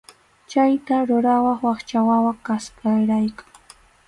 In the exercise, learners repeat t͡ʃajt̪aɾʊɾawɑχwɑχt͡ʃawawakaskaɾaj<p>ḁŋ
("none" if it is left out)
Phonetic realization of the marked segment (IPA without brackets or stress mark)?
k